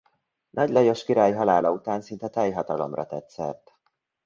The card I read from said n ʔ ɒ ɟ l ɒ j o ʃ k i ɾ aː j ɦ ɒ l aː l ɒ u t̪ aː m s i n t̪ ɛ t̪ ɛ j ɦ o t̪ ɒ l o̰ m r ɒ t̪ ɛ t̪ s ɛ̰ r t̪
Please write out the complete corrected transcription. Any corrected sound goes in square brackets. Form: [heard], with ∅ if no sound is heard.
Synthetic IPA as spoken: n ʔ ɒ ɟ l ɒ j o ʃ k i ɾ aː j ɦ ɒ l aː l ɒ u t̪ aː [n] s i n t̪ ɛ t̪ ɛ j ɦ [ɒ] t̪ ɒ l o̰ m r ɒ t̪ ɛ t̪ s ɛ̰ r t̪